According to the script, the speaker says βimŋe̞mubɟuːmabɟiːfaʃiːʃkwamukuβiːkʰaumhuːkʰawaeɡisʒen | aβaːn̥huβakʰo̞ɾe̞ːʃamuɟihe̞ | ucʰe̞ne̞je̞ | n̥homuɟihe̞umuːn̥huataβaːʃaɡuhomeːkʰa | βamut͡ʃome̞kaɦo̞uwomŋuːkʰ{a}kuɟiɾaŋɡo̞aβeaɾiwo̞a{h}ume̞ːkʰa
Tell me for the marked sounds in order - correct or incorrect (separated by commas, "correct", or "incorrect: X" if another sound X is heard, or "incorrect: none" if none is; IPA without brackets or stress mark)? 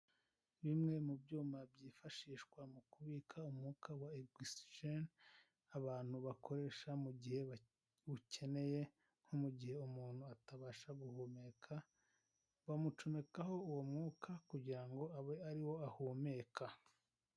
correct, correct